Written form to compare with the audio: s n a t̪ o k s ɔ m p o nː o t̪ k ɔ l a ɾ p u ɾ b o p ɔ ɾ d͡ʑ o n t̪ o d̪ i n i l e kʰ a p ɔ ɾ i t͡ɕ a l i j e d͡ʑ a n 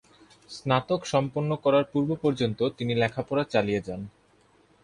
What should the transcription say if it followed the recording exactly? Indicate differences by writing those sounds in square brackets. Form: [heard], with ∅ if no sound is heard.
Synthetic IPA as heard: s n a t̪ o k [ʃ] ɔ m p o nː o [∅] k ɔ [ɾ] a ɾ p u ɾ b o p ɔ ɾ d͡ʑ o n t̪ o [t̪] i n i l [ɛ] kʰ a p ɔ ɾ [a] t͡ɕ a l i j e d͡ʑ a n